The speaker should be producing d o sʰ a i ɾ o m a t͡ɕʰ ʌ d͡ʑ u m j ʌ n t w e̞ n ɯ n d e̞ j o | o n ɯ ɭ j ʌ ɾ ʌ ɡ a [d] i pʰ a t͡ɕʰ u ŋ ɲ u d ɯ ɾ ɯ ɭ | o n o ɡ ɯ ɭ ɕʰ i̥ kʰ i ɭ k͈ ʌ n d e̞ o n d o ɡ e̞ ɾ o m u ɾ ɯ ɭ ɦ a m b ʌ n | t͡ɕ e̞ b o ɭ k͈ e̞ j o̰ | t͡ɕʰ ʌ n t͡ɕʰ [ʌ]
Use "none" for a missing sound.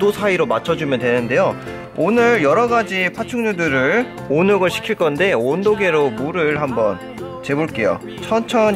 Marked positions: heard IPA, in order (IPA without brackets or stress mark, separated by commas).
d͡ʑ, ʌ